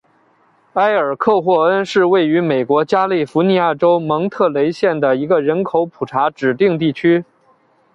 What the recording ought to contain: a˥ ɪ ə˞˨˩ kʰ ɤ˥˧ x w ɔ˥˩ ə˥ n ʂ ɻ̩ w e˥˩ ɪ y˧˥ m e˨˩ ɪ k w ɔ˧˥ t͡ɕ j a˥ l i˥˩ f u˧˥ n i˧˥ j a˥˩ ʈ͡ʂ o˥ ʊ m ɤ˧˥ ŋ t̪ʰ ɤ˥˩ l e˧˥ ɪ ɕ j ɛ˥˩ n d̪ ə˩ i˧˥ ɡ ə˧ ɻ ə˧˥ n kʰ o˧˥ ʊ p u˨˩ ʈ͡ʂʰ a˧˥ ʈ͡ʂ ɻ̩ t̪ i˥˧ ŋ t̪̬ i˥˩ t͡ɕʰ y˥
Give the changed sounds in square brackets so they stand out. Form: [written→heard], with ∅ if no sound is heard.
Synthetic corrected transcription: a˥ ɪ ə˞˨˩ kʰ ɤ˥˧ x w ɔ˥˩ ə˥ n ʂ ɻ̩ w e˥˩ ɪ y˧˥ m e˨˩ ɪ k w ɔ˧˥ t͡ɕ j a˥ l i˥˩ f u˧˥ n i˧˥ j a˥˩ ʈ͡ʂ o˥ ʊ m ɤ˧˥ ŋ t̪ʰ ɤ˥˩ l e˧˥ ɪ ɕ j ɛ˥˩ n d̪ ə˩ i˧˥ ɡ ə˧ ɻ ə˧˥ n kʰ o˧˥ ʊ [p→pʰ] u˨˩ ʈ͡ʂʰ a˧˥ ʈ͡ʂ ɻ̩ t̪ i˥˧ ŋ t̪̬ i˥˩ t͡ɕʰ y˥

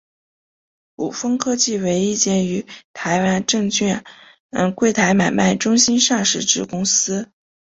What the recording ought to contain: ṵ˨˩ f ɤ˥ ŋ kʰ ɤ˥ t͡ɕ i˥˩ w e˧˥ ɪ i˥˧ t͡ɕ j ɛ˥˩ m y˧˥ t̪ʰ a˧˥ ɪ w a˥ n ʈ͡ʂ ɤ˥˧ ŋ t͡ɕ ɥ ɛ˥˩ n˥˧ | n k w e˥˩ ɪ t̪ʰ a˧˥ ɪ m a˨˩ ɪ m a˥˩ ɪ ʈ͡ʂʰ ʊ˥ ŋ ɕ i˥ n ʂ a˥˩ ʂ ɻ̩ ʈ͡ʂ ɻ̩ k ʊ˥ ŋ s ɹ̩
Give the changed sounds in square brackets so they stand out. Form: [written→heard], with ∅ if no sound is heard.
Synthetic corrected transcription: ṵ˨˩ f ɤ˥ ŋ kʰ ɤ˥ t͡ɕ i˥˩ w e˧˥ ɪ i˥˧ t͡ɕ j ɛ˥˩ [m→n] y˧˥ t̪ʰ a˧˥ ɪ w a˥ n ʈ͡ʂ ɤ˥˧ ŋ t͡ɕ ɥ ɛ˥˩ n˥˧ | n k w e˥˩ ɪ t̪ʰ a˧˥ ɪ m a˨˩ ɪ m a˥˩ ɪ [ʈ͡ʂʰ→ʈ͡ʂ] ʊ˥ ŋ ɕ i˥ n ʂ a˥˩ ʂ ɻ̩ ʈ͡ʂ ɻ̩ k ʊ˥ ŋ s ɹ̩

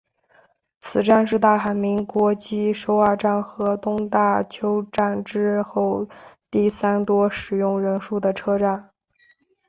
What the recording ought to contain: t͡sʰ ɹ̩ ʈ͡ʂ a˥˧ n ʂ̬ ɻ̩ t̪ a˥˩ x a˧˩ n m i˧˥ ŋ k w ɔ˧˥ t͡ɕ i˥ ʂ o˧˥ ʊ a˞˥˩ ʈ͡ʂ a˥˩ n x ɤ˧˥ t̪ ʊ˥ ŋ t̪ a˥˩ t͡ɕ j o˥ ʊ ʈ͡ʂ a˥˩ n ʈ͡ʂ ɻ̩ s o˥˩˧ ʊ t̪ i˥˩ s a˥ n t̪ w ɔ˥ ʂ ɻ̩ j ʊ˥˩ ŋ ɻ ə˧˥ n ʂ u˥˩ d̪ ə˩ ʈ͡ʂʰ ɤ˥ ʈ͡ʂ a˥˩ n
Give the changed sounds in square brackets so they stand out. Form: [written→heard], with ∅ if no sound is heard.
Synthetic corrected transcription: t͡sʰ ɹ̩ ʈ͡ʂ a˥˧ n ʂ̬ ɻ̩ t̪ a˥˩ x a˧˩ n m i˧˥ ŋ k w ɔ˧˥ t͡ɕ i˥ ʂ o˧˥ ʊ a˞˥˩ ʈ͡ʂ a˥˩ n x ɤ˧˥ t̪ ʊ˥ ŋ t̪ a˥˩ [t͡ɕ→t͡ɕʰ] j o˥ ʊ ʈ͡ʂ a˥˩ n ʈ͡ʂ ɻ̩ [s→x] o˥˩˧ ʊ t̪ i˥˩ s a˥ n t̪ w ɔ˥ ʂ ɻ̩ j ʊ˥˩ ŋ ɻ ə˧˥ n ʂ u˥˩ d̪ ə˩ ʈ͡ʂʰ ɤ˥ ʈ͡ʂ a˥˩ n

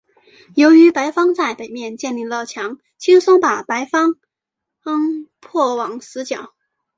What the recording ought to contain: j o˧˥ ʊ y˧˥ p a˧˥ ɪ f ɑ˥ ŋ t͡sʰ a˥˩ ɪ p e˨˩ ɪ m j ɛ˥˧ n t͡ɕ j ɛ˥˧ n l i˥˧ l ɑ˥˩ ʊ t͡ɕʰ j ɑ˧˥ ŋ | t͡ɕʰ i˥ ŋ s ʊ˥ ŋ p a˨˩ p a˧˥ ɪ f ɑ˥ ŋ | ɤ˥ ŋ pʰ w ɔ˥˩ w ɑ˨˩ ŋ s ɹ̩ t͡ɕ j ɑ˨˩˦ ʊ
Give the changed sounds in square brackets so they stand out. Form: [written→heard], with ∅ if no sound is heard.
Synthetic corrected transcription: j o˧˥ ʊ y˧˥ p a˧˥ ɪ f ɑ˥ ŋ [t͡sʰ→t͡s] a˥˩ ɪ p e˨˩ ɪ m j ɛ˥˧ n t͡ɕ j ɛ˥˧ n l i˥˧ l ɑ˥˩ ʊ t͡ɕʰ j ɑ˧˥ ŋ | t͡ɕʰ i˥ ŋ s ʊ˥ ŋ p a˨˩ p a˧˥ ɪ f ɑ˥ ŋ | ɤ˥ ŋ pʰ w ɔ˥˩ w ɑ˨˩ ŋ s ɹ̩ t͡ɕ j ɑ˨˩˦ ʊ

